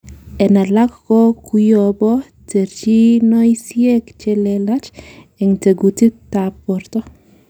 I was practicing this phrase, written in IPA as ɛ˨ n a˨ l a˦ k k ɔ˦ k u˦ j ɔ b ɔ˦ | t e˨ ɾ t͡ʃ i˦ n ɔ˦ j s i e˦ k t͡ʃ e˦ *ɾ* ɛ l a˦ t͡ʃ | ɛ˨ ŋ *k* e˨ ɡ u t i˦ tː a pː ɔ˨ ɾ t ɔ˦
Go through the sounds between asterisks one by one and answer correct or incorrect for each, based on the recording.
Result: incorrect: l, incorrect: t

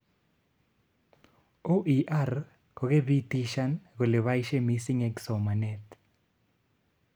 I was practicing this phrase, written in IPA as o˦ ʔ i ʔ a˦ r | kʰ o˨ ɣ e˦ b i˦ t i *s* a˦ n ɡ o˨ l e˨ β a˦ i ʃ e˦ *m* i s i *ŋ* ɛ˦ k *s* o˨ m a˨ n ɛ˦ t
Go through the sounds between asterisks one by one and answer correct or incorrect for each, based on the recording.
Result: incorrect: ʃ, correct, correct, correct

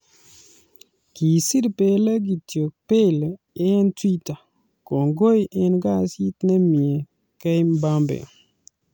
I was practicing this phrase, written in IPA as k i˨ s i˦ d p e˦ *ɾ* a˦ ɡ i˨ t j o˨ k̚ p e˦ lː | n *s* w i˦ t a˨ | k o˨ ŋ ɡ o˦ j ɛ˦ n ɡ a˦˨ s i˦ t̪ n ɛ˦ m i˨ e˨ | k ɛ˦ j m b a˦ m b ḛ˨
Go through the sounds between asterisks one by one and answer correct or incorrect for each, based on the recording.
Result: incorrect: l, incorrect: t

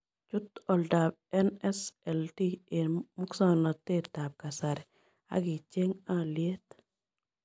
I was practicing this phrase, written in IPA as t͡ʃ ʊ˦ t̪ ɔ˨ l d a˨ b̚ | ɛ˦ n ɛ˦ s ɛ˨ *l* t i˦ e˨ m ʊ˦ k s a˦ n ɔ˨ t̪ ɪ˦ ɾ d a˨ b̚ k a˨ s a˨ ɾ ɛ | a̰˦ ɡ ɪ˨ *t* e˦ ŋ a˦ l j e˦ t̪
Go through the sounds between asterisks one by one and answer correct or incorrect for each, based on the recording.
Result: correct, incorrect: t͡ʃ

